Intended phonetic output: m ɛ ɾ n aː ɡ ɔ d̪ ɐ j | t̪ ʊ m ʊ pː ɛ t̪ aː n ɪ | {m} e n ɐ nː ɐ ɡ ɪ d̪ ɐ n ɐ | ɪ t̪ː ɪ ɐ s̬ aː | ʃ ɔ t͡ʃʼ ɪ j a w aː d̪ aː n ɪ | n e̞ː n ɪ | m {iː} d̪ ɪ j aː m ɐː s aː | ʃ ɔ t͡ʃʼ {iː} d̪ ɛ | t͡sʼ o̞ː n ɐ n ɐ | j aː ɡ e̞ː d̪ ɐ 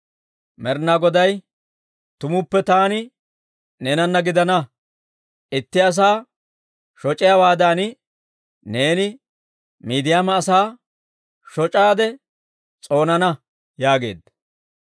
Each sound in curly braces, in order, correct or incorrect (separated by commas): incorrect, correct, incorrect